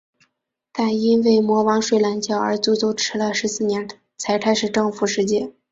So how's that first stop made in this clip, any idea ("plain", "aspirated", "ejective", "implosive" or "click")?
plain